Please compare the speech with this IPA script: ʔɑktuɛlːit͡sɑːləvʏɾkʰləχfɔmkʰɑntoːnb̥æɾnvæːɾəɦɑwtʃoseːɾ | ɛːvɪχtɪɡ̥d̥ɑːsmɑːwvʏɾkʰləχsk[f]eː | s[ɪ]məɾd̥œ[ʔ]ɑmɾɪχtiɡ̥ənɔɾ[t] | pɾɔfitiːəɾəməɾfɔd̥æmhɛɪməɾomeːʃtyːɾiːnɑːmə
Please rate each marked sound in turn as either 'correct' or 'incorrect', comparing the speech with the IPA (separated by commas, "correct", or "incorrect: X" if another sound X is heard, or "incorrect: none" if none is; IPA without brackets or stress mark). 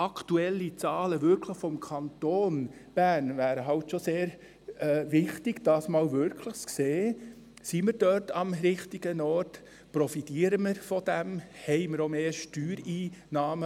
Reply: incorrect: s, incorrect: i, incorrect: t, correct